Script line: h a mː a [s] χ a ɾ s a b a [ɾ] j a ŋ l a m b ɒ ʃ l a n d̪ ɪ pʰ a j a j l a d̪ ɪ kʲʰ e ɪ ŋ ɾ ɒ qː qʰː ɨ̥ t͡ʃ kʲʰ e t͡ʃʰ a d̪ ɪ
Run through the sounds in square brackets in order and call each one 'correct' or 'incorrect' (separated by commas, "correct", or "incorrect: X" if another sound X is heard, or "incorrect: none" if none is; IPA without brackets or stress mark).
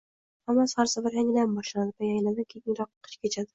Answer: correct, correct